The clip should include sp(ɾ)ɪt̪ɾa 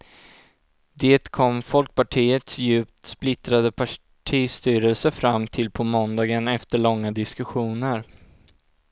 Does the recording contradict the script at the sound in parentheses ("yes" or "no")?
yes